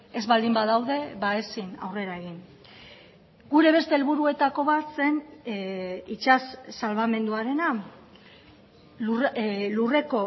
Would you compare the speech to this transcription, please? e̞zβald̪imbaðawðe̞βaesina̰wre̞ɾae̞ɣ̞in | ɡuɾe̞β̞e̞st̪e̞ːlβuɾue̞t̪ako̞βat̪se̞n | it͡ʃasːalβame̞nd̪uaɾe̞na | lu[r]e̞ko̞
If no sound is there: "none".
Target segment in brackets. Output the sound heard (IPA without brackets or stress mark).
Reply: r